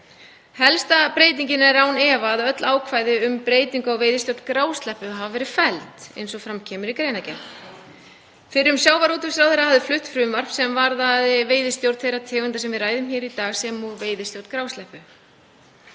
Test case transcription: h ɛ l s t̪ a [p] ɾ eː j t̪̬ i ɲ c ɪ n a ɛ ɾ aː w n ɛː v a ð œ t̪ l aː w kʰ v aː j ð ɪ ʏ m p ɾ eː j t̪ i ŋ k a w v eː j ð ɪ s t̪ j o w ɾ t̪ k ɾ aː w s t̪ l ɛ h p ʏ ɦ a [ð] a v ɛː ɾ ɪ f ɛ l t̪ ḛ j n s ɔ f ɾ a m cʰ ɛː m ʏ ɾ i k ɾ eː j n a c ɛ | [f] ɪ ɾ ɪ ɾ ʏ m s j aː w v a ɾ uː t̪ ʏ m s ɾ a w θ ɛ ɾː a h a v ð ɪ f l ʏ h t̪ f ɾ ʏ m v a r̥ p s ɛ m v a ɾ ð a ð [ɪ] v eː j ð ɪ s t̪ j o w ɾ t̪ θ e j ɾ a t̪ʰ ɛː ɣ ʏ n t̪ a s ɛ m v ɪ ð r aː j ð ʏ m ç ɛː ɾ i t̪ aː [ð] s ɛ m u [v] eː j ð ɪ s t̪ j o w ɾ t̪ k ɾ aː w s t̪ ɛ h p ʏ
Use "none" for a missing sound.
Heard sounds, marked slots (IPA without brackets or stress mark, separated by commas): p, v, f, ɪ, ɣ, v